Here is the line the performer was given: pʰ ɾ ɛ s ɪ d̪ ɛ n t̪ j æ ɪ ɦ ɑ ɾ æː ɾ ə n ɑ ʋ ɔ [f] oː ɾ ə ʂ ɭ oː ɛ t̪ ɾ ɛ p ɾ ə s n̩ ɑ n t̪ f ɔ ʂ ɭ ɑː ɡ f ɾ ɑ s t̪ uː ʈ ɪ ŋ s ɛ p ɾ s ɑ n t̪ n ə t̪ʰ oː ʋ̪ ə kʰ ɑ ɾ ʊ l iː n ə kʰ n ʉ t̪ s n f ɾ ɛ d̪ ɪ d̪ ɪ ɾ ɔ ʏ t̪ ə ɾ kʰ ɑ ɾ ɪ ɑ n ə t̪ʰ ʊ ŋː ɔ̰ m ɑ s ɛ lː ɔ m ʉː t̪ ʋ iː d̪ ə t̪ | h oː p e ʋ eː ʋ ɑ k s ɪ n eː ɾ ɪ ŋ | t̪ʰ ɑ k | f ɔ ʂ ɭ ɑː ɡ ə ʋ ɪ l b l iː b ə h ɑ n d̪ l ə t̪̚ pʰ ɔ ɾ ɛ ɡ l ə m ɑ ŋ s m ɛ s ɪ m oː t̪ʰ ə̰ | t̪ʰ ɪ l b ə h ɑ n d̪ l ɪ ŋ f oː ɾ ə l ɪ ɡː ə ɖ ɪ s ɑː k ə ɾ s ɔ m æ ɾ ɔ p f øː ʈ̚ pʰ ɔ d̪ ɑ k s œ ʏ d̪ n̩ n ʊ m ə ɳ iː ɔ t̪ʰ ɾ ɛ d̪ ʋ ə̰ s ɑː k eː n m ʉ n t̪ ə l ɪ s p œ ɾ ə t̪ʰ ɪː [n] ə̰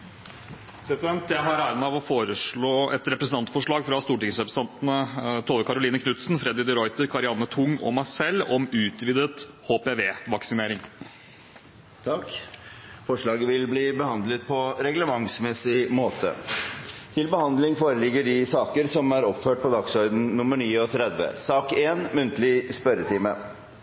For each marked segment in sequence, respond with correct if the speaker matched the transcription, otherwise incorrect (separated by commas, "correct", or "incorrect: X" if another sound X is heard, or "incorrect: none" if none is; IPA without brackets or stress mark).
correct, incorrect: m